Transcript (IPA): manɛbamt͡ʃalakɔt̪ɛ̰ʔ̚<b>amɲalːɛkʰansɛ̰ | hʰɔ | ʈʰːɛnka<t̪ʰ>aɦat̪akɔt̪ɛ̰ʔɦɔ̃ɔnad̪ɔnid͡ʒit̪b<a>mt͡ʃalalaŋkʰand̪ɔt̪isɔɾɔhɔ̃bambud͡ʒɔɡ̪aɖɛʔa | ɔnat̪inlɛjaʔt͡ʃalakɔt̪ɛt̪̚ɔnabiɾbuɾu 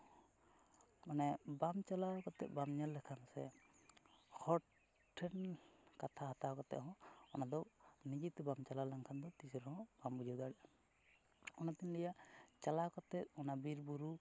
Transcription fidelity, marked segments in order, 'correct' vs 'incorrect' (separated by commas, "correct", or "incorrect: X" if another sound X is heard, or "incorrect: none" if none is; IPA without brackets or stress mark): correct, correct, correct